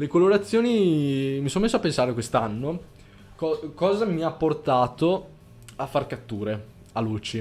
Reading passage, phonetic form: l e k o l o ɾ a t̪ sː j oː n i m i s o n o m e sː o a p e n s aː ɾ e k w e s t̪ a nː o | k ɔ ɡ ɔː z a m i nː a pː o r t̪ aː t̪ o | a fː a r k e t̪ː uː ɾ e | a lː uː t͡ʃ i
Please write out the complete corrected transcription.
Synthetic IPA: l e k o l o ɾ a t̪ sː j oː n i m i s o n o m e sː o a p e n s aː ɾ e k w e s t̪ a nː o | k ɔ k ɔː z a m i a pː o r t̪ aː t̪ o | a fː a r k a t̪ː uː ɾ e | a l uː t͡ʃ i